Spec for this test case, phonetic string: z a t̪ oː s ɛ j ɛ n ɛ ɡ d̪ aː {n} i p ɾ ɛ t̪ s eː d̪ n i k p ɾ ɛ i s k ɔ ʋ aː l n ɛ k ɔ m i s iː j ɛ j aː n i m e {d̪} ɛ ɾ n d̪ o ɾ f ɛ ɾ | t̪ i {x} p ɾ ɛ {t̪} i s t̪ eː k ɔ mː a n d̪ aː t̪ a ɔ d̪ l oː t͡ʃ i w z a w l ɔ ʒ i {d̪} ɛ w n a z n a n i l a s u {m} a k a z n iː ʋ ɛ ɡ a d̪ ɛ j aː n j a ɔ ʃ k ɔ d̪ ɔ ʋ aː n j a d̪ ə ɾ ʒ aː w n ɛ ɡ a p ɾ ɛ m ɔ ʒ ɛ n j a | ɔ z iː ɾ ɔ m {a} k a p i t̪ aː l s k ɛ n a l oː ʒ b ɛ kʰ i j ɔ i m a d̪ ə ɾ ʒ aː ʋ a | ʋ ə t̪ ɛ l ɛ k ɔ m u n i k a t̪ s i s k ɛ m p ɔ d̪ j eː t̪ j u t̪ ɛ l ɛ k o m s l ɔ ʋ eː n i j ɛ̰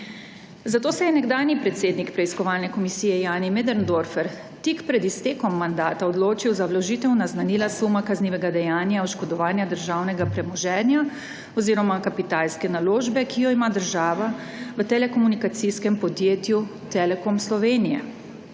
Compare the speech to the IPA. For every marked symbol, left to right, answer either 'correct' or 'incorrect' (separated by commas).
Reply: correct, correct, incorrect, incorrect, incorrect, correct, correct